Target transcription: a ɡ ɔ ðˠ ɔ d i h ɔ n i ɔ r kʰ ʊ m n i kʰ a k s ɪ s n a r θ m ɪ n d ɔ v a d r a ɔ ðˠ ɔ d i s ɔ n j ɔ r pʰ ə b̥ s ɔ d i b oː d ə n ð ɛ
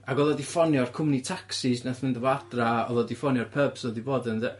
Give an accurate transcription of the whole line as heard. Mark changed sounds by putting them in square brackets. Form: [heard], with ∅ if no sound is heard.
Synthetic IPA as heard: a ɡ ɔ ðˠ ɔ d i [f] ɔ n [j] ɔ r kʰ ʊ m n i [tʰ] a k s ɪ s n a [∅] θ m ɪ n d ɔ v a d r a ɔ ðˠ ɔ d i [f] ɔ n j ɔ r pʰ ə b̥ s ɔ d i b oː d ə n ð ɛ